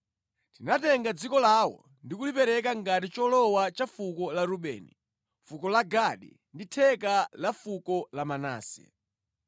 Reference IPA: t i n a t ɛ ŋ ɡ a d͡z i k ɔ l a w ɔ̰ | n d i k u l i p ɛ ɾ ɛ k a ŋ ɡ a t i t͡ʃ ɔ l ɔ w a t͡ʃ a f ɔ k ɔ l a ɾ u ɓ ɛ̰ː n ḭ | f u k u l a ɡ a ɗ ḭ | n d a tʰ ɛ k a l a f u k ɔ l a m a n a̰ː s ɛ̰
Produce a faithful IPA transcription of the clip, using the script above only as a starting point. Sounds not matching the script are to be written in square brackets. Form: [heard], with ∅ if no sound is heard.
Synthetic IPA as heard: t i n a t ɛ ŋ ɡ a d͡z i k ɔ l a w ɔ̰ | n d i k u l i p ɛ ɾ ɛ k a ŋ ɡ a t i t͡ʃ ɔ l ɔ w a t͡ʃ a f [u] k ɔ l a ɾ u ɓ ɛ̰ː n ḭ | f u k [ɔ] l a ɡ a ɗ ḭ | n d [i] tʰ ɛ k a l a f u k ɔ l a m a n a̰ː s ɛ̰